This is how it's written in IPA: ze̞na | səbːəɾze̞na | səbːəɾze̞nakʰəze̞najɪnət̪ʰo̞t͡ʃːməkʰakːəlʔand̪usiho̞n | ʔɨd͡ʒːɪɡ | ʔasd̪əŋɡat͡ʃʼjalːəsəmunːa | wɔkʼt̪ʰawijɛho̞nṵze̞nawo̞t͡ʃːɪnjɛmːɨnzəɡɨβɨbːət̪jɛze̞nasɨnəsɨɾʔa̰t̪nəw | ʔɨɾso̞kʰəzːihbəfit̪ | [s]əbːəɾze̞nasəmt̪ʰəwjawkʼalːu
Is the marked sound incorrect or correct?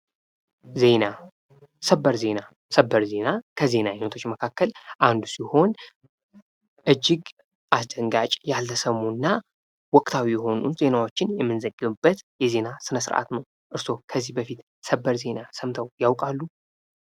correct